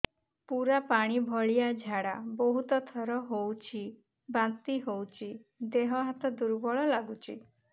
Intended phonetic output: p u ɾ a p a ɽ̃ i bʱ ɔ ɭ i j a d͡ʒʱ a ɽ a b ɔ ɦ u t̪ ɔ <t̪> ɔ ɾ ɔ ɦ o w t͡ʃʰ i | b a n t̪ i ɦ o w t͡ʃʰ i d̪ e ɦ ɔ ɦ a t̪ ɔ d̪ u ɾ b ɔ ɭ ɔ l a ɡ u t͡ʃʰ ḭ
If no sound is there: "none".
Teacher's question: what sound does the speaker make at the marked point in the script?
t̪ʰ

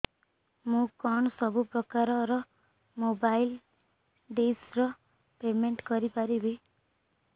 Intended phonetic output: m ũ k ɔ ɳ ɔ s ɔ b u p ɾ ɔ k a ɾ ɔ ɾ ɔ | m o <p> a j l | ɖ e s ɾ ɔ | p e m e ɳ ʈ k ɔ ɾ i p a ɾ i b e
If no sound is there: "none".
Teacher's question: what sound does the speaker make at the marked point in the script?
b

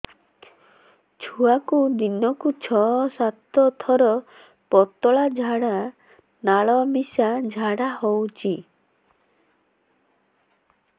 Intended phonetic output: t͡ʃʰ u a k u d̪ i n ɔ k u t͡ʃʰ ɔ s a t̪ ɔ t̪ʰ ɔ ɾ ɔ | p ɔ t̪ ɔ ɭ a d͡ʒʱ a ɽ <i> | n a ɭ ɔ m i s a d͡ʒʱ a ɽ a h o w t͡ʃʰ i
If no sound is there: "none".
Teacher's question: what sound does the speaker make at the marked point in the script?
a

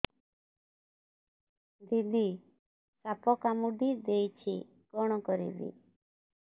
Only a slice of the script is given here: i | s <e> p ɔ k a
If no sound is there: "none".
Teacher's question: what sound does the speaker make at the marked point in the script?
a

